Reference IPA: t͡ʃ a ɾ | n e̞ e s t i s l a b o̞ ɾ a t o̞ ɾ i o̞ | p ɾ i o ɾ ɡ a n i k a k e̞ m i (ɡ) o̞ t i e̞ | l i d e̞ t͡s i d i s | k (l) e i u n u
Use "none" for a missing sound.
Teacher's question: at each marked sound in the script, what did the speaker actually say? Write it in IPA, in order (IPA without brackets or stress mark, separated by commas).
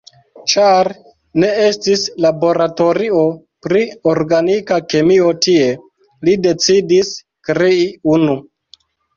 none, ɾ